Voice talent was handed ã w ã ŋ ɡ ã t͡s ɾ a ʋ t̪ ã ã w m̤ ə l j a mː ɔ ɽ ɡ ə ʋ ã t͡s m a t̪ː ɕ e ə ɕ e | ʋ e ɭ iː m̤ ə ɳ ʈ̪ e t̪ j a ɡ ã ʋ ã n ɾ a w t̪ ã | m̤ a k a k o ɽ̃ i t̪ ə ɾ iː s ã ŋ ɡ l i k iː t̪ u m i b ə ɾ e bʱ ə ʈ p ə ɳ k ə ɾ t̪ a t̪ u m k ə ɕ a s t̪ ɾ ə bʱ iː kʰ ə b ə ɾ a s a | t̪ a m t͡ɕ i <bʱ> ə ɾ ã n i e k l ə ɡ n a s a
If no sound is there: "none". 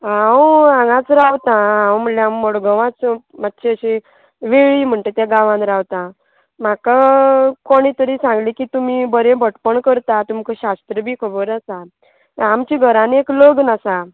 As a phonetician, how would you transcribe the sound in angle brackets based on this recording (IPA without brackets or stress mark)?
ɡʱ